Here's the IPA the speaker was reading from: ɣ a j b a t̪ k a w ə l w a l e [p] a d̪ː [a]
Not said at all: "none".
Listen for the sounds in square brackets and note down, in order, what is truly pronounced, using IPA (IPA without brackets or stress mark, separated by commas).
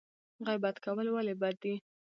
b, i